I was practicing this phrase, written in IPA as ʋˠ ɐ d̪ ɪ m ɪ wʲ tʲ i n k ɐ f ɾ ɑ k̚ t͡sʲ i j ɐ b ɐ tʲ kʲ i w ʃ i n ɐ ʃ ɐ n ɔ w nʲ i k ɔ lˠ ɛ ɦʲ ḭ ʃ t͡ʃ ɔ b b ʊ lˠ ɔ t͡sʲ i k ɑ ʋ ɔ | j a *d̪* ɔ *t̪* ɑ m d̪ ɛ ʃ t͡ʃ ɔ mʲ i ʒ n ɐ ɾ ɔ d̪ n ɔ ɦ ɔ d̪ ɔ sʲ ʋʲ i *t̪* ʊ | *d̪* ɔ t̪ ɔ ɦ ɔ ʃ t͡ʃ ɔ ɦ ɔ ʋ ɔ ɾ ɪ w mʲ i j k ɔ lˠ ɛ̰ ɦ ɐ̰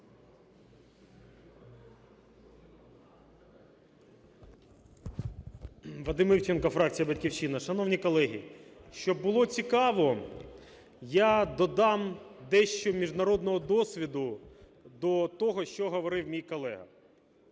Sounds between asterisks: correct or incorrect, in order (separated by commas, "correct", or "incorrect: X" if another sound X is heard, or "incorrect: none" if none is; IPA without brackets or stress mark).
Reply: correct, incorrect: d̪, incorrect: d̪, correct